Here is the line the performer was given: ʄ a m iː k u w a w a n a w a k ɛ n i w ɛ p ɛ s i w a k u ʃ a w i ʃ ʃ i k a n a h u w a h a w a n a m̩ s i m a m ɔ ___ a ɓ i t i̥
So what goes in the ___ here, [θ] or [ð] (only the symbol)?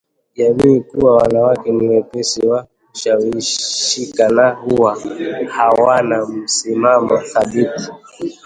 θ